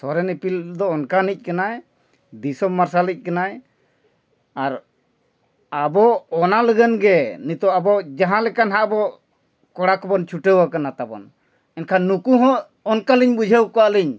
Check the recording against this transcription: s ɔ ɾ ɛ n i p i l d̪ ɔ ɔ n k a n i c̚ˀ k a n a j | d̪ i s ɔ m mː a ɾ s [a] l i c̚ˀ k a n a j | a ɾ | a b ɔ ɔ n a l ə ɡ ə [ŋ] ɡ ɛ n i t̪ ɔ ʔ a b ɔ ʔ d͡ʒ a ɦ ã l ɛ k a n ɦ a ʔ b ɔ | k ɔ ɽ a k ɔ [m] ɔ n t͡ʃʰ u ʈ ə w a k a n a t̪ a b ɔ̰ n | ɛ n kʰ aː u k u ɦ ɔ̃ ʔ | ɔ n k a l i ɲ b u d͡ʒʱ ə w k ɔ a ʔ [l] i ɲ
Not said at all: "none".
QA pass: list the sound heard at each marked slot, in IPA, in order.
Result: a, n, b, l

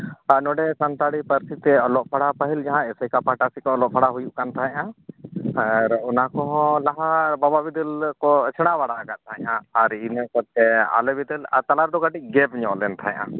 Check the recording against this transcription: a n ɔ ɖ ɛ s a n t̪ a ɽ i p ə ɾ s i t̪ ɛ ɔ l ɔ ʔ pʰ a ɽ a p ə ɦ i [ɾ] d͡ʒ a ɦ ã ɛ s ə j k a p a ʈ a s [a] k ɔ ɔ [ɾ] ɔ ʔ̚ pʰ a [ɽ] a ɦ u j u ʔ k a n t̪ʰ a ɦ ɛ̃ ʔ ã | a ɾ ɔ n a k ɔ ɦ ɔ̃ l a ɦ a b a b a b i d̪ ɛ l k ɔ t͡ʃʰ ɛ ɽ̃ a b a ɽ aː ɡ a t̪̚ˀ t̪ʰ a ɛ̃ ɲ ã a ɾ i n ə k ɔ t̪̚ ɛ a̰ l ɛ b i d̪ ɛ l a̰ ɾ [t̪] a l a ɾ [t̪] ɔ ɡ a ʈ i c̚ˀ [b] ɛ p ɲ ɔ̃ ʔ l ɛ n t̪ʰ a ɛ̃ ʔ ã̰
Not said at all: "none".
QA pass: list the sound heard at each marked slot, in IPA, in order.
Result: l, i, l, ɽ, t̪, d̪, ɡ

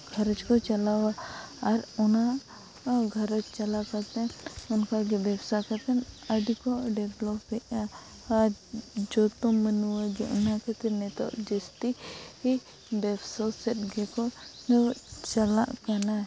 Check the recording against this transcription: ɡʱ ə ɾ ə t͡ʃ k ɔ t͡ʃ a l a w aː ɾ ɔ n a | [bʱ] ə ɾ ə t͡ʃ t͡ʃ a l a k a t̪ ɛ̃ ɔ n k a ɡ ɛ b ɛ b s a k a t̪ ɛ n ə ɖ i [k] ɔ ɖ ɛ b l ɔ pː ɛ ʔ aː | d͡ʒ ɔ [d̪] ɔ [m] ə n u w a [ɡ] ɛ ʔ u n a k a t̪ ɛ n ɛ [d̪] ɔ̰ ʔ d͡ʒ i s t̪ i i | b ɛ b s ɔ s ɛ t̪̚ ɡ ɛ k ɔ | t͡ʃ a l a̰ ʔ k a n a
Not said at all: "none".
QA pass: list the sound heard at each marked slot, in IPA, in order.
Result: ɡʱ, k, t̪, m, ɡ, t̪

